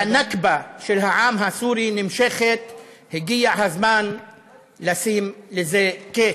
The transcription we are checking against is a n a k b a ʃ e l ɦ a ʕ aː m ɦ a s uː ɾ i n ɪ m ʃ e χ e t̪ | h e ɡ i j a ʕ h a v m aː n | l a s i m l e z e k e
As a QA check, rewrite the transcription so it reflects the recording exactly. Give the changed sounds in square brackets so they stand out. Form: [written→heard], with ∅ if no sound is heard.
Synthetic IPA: a n a k b a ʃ e l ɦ a ʕ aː m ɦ a s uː ɾ i n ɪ m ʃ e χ e t̪ | h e ɡ i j a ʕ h a [v→z] m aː n | l a s i m l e z e k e